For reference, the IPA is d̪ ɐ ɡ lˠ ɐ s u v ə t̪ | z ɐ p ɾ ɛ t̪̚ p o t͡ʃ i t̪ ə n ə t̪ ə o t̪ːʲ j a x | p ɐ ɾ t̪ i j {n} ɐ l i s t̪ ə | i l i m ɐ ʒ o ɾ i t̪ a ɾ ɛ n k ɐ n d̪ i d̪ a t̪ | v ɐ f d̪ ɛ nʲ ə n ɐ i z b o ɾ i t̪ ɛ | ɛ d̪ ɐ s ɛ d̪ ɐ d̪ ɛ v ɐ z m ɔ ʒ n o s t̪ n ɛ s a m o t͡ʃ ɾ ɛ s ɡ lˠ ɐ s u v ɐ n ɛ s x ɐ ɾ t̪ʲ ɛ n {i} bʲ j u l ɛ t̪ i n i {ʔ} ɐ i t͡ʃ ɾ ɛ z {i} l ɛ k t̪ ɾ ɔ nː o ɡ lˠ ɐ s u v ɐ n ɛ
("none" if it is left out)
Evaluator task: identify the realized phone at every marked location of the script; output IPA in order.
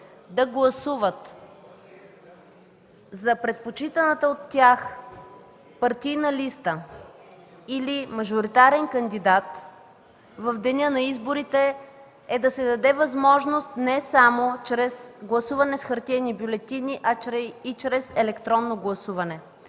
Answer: n, i, ʔ, ɛ

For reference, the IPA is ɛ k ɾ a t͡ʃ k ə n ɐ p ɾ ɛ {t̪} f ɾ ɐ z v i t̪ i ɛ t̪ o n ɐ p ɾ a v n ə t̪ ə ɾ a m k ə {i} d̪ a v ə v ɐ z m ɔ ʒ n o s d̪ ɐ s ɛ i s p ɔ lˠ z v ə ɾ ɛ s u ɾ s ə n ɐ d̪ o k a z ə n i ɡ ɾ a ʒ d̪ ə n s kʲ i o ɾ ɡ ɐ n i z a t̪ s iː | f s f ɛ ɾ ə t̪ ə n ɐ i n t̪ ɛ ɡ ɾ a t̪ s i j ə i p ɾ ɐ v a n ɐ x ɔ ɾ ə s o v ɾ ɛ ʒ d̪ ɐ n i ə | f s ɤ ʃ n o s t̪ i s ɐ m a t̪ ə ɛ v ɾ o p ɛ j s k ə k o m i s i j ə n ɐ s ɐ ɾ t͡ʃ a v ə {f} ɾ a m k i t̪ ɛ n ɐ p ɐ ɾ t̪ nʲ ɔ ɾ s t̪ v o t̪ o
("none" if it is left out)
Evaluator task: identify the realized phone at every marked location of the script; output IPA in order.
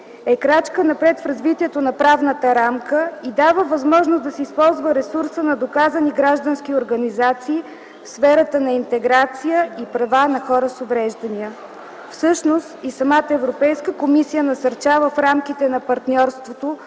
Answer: t̪, i, f

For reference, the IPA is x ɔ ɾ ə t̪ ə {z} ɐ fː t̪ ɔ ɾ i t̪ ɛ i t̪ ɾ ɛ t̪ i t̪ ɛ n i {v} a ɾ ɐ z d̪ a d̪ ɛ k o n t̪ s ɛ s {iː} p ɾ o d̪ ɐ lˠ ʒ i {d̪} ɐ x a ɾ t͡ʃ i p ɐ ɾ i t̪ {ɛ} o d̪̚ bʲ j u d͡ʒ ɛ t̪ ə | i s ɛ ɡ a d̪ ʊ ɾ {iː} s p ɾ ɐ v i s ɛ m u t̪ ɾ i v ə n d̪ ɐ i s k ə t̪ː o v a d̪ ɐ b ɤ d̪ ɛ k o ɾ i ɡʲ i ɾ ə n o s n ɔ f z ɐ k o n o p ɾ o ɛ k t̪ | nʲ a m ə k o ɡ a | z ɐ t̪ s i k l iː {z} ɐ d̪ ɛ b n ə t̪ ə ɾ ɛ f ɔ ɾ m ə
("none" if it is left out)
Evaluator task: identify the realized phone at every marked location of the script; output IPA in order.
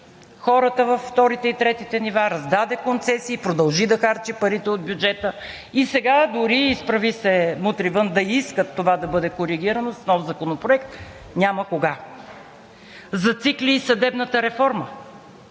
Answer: v, v, iː, d̪, ɛ, iː, s

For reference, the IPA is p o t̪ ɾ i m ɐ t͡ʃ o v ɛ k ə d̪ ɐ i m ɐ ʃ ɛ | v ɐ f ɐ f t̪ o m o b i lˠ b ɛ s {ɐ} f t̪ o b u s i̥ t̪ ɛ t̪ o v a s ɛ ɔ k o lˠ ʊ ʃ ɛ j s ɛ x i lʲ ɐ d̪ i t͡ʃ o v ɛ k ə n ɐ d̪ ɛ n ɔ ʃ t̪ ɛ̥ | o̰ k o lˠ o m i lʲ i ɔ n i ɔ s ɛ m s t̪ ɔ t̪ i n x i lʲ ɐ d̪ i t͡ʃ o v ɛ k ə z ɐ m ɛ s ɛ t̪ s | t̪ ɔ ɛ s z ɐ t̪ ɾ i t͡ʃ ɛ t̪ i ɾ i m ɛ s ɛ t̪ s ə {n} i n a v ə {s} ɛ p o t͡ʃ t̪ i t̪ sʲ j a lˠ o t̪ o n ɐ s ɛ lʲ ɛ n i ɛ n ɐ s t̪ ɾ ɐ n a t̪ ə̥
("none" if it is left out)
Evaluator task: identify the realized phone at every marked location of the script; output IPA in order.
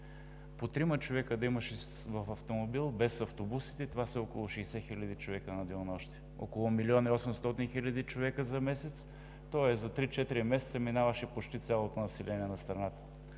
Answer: ɐ, m, ʃ

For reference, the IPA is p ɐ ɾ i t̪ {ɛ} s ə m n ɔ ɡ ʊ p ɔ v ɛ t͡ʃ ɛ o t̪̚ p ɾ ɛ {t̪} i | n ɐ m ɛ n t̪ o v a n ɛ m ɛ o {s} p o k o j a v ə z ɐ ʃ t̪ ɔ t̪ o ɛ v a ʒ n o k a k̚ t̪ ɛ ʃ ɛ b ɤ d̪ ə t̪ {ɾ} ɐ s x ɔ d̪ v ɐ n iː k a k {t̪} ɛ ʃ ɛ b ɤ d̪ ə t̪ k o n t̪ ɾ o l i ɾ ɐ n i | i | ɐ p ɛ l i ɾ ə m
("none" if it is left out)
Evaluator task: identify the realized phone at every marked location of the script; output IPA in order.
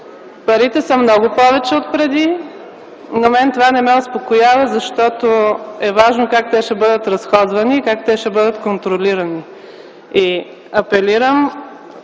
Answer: ɛ, d̪, s, ɾ, t̪

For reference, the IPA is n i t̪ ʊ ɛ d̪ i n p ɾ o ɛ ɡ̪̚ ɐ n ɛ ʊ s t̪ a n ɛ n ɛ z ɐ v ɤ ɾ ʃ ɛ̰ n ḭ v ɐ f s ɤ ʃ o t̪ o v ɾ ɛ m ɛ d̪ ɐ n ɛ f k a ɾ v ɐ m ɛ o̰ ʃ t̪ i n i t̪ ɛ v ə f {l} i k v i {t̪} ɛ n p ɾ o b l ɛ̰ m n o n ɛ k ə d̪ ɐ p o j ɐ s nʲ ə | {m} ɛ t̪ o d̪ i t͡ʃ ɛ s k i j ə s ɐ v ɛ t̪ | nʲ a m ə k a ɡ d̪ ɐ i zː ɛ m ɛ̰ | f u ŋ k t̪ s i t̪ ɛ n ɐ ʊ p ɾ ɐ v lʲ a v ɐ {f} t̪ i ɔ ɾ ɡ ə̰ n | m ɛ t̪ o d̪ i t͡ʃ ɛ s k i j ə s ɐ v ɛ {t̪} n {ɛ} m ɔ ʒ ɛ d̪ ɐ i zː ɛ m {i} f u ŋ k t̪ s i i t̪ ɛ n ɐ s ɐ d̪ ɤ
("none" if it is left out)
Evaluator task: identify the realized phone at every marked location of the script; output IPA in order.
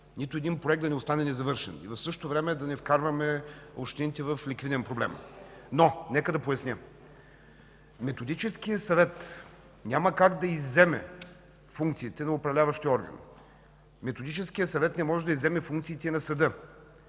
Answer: l, d̪, m, ʃ, t̪, ɛ, ɛ

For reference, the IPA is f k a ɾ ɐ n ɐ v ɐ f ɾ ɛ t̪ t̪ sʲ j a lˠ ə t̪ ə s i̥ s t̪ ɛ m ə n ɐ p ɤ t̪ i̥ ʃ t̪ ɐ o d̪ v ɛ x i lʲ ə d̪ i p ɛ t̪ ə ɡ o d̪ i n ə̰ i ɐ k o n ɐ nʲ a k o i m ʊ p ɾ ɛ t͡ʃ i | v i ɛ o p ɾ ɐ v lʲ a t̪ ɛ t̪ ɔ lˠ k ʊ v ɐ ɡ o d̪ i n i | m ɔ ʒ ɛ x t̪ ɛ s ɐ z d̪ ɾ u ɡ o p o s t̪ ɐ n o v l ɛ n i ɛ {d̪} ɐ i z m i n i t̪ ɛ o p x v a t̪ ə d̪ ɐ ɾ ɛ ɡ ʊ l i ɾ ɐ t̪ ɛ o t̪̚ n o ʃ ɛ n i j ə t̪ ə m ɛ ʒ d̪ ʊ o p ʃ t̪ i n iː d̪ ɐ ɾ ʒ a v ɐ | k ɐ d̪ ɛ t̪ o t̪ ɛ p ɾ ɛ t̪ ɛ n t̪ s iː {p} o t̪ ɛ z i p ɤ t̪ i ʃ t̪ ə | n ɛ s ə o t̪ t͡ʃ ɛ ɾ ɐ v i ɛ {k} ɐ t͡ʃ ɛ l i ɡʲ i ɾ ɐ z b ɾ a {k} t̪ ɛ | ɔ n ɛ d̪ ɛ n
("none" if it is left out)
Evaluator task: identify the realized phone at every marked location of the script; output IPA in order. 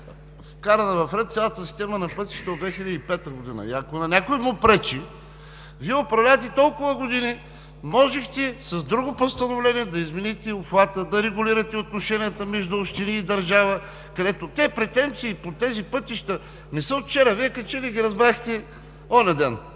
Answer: d̪, p, k, x

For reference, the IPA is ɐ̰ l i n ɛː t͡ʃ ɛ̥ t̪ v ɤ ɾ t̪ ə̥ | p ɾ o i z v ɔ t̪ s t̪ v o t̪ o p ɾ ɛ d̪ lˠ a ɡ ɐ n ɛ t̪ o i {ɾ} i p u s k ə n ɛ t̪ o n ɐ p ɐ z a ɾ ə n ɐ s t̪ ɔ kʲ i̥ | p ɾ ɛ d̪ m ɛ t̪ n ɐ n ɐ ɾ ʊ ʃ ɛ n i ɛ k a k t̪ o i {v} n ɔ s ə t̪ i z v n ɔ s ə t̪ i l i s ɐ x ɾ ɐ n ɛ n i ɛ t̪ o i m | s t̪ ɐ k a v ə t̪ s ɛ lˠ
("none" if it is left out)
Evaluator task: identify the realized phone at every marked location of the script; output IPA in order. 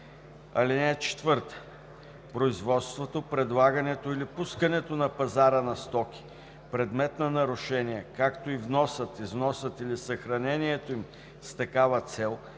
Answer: l, v

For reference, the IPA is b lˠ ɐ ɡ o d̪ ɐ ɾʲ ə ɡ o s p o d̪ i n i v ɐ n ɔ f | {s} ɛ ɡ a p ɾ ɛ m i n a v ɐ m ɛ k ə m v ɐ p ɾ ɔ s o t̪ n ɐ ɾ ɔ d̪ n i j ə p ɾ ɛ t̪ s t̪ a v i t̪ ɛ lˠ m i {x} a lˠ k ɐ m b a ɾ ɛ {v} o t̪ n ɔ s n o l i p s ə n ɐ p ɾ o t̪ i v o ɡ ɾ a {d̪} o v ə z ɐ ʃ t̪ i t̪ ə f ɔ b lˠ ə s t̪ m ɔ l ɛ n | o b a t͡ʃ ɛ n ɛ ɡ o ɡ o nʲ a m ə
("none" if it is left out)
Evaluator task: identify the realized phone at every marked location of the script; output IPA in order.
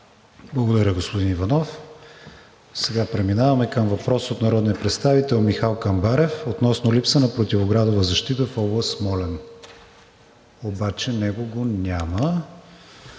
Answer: s, x, f, d̪

